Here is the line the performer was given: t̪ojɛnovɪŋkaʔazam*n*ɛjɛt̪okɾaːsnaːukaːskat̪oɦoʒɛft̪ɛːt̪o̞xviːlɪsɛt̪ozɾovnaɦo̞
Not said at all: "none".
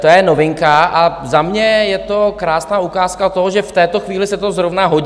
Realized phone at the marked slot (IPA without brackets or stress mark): ɲ